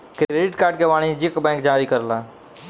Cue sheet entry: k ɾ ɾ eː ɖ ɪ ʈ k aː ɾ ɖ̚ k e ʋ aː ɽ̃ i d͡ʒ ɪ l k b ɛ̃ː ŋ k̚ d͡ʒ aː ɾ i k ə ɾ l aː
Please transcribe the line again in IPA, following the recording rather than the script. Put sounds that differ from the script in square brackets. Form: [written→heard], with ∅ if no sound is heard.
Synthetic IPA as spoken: k ɾ ɾ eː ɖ ɪ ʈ k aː ɾ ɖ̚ k e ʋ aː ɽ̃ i d͡ʒ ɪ [l→∅] k b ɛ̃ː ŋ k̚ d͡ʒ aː ɾ i k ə ɾ l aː